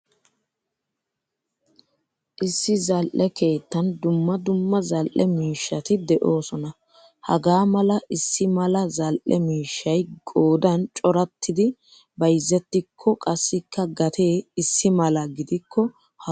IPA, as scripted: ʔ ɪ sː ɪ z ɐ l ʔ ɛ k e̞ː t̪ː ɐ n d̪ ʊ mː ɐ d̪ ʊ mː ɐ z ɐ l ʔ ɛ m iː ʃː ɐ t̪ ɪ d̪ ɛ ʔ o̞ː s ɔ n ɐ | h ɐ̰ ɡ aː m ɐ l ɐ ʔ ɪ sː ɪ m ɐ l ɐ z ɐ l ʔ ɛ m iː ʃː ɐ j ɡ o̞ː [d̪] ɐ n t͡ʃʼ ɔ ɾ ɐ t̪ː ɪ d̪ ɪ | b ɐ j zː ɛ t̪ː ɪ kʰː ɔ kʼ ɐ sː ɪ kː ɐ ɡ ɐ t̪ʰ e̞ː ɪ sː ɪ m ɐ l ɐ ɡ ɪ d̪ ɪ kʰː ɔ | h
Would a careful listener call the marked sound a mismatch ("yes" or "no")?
no